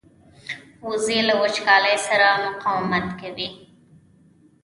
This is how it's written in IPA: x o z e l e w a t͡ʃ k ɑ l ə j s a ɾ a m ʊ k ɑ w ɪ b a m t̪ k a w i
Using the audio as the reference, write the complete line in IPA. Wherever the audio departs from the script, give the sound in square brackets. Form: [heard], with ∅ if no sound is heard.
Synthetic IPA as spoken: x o z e l [a] w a t͡ʃ k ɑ l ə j s a ɾ a m ʊ [q] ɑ w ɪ [m] a [∅] t̪ k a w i